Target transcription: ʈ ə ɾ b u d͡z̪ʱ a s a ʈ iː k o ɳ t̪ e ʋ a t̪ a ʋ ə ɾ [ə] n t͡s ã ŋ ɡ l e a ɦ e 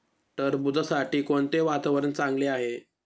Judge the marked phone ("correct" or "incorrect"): correct